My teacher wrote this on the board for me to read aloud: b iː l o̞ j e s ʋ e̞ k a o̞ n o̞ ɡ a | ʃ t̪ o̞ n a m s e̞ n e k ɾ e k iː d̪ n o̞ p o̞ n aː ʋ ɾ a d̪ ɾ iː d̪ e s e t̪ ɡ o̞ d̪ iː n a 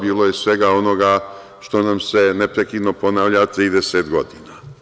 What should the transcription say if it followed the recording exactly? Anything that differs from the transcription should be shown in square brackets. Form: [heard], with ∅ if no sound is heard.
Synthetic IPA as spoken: b iː l o̞ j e s ʋ e̞ [ɡ] a o̞ n o̞ ɡ a | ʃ t̪ o̞ n a m s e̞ n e [p] ɾ e k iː d̪ n o̞ p o̞ n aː ʋ [ʎ] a [t̪] ɾ iː d̪ e s e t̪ ɡ o̞ d̪ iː n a